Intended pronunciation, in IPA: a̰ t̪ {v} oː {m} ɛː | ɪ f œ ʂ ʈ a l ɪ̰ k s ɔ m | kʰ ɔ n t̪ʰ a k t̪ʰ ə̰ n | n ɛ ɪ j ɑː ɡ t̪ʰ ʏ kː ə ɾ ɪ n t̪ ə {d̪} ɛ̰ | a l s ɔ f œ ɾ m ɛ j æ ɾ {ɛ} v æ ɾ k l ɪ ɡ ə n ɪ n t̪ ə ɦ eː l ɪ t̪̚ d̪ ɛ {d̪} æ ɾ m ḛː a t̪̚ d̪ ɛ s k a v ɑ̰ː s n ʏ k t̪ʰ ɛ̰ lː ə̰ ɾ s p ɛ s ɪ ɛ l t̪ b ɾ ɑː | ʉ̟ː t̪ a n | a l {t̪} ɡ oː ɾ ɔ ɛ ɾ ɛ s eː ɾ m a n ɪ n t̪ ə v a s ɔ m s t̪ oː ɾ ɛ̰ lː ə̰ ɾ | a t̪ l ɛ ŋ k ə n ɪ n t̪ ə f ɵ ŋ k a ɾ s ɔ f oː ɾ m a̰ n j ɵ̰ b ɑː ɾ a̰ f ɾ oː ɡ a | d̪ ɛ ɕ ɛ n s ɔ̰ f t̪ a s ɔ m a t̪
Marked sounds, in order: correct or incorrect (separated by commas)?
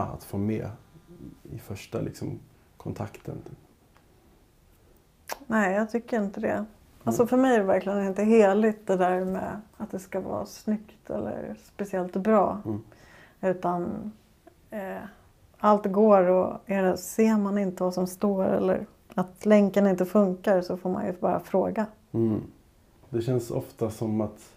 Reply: incorrect, correct, correct, correct, correct, correct